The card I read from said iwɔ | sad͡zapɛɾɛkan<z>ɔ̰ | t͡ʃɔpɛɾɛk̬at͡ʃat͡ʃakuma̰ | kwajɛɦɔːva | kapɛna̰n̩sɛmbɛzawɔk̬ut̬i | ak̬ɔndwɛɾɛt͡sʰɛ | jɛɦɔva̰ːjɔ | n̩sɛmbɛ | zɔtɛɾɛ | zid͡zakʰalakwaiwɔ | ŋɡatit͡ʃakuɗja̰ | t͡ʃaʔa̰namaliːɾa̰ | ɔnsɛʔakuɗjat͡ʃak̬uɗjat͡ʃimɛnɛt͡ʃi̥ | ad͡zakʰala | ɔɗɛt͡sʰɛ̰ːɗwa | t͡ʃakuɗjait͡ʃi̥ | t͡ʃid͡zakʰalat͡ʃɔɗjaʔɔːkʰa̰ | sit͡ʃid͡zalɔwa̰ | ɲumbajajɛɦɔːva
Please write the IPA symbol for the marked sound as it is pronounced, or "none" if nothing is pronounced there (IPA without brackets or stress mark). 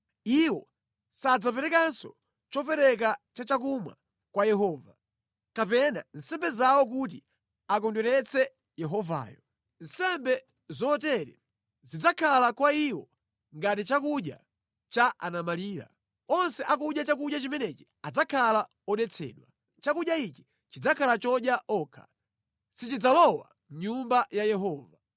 s